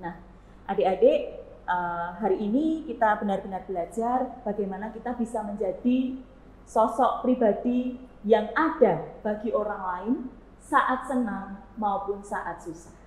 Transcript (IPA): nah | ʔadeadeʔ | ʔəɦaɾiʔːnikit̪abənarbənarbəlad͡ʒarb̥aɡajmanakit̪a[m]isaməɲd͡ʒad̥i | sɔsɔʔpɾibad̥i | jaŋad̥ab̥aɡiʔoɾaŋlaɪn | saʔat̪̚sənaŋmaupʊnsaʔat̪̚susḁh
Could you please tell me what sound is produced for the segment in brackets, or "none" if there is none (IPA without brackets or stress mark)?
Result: b